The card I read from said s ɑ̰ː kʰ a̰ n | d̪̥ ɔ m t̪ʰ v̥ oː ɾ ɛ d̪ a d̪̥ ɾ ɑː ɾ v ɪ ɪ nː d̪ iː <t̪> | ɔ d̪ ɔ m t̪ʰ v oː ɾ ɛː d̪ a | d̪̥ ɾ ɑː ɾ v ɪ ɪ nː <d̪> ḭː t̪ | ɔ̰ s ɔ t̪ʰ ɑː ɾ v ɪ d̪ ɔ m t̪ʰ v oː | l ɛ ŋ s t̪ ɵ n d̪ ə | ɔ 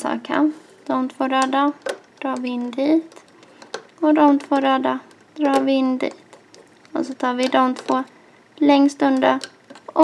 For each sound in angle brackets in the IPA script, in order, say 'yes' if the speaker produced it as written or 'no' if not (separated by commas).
yes, yes